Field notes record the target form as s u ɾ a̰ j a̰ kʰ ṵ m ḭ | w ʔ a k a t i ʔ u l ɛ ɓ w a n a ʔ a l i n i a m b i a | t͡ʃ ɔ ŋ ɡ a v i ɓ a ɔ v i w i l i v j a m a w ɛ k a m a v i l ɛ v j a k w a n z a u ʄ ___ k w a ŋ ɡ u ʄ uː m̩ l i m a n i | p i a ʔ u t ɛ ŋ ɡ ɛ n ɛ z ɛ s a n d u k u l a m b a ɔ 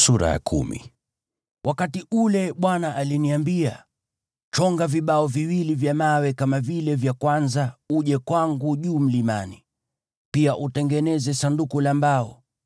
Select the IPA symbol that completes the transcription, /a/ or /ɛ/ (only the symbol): ɛ